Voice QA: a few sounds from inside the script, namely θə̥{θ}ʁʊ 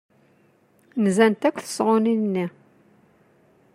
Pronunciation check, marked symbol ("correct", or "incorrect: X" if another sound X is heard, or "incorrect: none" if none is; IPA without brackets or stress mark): incorrect: s